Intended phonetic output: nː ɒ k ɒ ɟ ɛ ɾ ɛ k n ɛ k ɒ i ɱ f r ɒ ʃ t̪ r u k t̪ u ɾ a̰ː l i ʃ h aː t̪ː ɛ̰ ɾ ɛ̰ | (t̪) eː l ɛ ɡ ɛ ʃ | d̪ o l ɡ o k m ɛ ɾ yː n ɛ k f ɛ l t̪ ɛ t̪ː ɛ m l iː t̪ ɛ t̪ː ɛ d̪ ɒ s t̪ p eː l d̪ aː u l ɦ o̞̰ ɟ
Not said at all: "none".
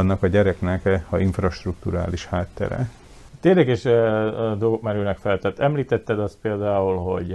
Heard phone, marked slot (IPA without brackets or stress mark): t̪